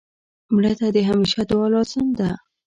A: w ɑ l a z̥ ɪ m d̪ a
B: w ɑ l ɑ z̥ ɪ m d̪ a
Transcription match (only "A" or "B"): B